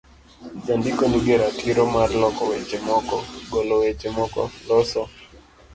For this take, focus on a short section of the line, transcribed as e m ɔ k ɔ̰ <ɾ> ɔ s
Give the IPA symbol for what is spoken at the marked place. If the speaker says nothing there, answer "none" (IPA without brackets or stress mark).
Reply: l